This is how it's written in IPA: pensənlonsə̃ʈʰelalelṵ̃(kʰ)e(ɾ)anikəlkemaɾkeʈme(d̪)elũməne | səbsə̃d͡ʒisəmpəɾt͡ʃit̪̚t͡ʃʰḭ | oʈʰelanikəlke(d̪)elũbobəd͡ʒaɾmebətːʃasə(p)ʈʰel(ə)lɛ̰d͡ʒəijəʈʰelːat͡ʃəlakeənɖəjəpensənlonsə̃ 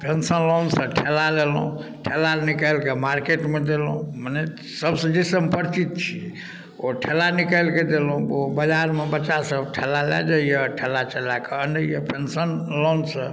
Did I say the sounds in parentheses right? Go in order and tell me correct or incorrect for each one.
incorrect: ʈʰ, incorrect: l, correct, correct, incorrect: b, incorrect: a

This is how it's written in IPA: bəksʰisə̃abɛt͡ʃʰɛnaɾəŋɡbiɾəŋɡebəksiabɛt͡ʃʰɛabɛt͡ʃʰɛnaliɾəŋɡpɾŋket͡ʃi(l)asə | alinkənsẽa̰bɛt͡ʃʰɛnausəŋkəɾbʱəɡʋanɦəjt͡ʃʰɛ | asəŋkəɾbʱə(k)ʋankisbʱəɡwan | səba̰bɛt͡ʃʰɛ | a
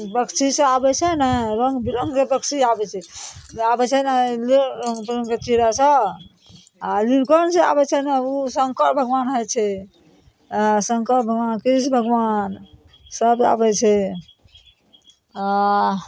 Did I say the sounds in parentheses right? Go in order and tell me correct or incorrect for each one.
incorrect: ɾ, incorrect: ɡ

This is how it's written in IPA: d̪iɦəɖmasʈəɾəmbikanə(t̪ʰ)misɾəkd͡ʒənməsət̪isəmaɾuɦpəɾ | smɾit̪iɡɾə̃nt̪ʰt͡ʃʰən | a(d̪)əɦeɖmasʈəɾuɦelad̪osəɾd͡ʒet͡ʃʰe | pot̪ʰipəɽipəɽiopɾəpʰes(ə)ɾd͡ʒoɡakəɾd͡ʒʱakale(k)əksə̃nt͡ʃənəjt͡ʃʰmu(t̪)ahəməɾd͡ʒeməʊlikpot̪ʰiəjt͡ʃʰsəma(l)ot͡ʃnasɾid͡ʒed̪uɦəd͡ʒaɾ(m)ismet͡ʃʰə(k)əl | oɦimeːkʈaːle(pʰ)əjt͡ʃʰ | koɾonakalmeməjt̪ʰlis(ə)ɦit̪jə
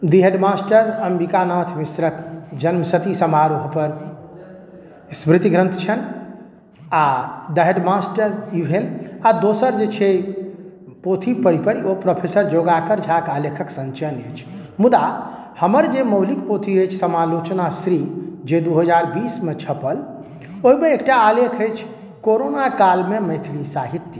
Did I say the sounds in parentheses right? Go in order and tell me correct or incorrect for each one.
correct, correct, correct, incorrect: kʰ, incorrect: d̪, correct, incorrect: b, incorrect: p, incorrect: kʰ, incorrect: a

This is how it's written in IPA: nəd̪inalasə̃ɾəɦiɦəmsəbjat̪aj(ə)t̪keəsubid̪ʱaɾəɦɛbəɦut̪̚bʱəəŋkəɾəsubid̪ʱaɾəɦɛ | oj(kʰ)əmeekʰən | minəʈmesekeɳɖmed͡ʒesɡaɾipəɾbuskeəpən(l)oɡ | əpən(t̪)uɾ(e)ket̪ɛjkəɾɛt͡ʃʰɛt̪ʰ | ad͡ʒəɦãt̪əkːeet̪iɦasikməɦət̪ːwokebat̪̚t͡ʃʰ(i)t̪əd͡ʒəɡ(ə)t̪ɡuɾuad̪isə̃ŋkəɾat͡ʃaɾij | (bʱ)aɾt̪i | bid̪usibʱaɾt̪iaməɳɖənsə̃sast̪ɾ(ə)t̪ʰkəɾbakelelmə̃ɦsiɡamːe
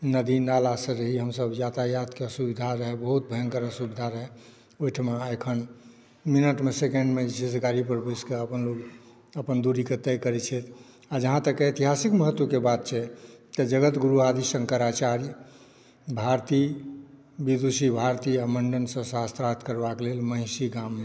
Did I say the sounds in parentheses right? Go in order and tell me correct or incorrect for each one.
incorrect: a, incorrect: ʈʰ, correct, incorrect: d̪, incorrect: i, incorrect: ɛ, correct, correct, incorrect: a

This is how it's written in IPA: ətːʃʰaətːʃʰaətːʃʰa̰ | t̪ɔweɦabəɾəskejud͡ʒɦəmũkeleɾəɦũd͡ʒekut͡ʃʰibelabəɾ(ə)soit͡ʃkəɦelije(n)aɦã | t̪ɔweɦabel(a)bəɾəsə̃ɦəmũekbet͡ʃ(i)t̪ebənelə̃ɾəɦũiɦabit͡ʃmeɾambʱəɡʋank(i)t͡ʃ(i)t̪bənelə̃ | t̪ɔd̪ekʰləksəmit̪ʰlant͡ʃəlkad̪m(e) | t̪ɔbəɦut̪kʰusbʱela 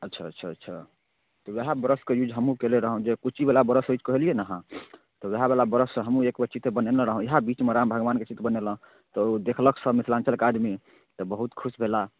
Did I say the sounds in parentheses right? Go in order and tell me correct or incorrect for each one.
correct, correct, correct, correct, incorrect: e, correct, incorrect: i

